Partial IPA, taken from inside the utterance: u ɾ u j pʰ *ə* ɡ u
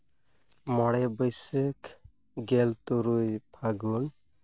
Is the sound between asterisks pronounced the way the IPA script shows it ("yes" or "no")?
no